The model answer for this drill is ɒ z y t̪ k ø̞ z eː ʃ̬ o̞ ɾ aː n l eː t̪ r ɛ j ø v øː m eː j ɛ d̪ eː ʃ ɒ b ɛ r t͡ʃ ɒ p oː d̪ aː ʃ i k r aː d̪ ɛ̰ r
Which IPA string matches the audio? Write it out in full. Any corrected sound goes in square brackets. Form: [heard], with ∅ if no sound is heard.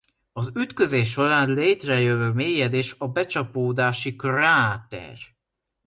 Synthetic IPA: ɒ z y t̪ k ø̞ z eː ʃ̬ o̞ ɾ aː n l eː t̪ r ɛ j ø v øː m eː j ɛ d̪ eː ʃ ɒ b ɛ [∅] t͡ʃ ɒ p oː d̪ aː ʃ i k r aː [t̪] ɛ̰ r